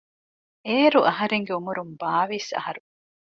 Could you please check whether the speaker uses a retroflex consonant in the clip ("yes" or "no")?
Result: no